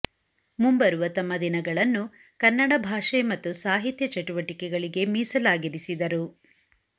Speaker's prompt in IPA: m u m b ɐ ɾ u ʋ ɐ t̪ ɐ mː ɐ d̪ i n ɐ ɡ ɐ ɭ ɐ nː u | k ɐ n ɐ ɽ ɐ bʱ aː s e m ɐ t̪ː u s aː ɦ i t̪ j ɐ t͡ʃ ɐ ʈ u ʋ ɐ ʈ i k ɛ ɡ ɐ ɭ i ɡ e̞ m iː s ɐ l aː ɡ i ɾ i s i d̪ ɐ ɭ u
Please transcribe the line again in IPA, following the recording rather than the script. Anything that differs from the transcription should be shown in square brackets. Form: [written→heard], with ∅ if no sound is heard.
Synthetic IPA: m u m b ɐ ɾ u ʋ ɐ t̪ ɐ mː ɐ d̪ i n ɐ ɡ ɐ ɭ ɐ nː u | k ɐ [n→nː] ɐ ɽ ɐ bʱ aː [s→ʂ] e m ɐ t̪ː u s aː ɦ i t̪ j ɐ t͡ʃ ɐ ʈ u ʋ ɐ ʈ i k ɛ ɡ ɐ ɭ i ɡ e̞ m iː s ɐ l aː ɡ i ɾ i s i d̪ ɐ [ɭ→ɾ] u